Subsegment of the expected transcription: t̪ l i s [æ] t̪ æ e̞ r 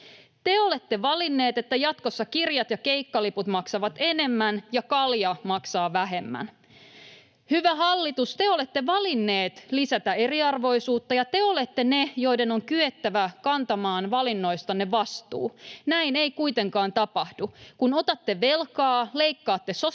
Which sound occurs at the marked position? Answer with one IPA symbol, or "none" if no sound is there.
æ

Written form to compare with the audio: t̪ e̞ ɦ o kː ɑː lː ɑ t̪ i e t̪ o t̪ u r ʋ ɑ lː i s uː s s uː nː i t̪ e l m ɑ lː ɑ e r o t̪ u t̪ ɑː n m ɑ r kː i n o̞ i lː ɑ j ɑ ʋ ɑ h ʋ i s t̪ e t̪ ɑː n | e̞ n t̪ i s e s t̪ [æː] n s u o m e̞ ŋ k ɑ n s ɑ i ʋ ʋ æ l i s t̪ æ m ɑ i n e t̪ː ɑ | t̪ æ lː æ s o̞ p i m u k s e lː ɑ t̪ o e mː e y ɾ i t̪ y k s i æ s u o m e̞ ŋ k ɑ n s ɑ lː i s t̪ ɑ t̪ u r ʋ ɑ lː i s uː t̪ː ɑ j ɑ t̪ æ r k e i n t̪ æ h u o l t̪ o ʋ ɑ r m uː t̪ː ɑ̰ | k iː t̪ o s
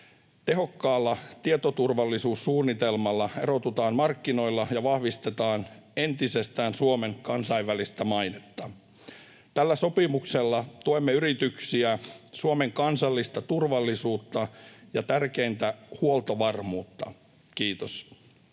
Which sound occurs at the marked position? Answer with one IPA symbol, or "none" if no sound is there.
æː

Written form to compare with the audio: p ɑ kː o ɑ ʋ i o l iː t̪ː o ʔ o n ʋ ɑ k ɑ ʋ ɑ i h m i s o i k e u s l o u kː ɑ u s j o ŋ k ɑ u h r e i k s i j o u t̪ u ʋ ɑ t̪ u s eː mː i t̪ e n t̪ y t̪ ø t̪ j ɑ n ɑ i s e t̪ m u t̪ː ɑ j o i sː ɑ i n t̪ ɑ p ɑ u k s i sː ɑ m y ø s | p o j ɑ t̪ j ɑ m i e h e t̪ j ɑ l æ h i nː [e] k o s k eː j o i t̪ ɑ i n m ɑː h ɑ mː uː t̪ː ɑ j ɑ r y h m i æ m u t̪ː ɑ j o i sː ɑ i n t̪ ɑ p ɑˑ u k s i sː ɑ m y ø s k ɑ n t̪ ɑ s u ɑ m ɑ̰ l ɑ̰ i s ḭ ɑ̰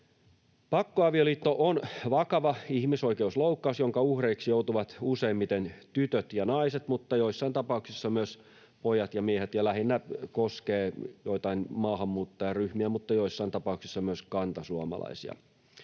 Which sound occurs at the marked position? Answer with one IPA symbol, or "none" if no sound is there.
æ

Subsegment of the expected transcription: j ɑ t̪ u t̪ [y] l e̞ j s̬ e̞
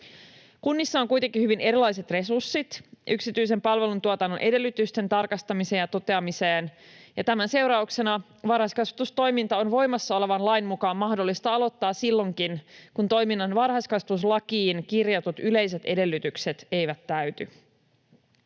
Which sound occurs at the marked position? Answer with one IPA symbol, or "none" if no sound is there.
y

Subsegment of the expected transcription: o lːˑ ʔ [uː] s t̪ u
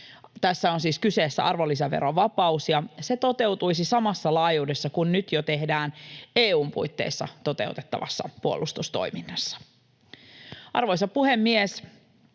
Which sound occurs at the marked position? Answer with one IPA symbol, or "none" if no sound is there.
u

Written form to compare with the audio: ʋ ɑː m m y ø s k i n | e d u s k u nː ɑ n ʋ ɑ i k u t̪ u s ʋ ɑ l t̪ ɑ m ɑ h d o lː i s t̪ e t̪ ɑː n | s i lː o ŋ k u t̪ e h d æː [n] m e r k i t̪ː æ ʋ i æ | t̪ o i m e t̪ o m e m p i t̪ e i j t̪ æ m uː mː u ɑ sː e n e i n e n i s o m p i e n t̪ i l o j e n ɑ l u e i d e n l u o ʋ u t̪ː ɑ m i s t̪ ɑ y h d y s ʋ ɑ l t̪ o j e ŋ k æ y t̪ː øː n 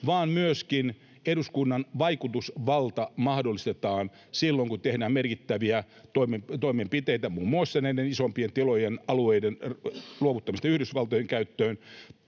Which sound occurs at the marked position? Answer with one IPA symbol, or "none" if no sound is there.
m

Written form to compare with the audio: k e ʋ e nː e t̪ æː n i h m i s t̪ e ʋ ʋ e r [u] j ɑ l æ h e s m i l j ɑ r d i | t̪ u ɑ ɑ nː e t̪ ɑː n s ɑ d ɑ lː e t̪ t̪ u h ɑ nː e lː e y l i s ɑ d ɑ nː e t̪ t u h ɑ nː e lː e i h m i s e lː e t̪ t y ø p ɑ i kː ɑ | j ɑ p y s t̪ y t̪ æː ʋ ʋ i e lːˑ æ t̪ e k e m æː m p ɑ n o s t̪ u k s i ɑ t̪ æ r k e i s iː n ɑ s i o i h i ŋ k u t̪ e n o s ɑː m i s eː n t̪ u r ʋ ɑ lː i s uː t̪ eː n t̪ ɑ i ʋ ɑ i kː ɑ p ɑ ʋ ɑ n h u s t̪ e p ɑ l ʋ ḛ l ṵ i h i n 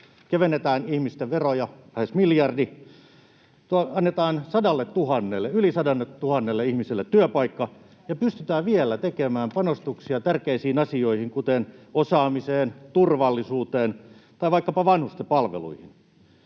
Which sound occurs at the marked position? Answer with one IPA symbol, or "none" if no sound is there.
o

